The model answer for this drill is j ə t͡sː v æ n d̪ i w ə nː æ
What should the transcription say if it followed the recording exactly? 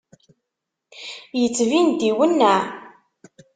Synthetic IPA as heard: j ə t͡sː v i n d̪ i w ə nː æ